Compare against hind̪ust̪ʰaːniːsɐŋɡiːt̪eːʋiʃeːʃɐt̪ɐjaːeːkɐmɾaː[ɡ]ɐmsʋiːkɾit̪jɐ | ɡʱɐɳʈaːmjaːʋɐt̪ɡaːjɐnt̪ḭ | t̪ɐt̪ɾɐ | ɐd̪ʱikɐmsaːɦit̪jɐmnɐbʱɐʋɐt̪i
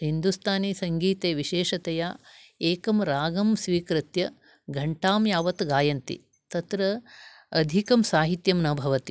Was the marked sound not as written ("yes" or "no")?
no